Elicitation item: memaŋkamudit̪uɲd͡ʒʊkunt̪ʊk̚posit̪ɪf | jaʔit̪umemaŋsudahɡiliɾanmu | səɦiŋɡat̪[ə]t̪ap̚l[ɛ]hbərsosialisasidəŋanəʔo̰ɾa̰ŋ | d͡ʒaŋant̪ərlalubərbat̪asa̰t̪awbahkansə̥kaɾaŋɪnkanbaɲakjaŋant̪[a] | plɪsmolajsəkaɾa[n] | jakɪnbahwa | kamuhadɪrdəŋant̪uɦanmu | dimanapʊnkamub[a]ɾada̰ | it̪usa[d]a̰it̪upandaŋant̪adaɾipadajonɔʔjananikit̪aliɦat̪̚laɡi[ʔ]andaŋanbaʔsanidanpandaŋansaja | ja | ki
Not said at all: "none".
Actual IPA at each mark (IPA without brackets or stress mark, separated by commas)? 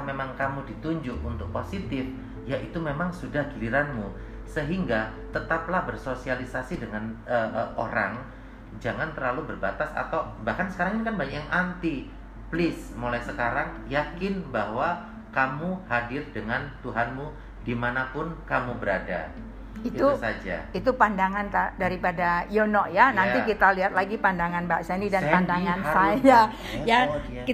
ə, a, i, ŋ, ə, d͡ʒ, p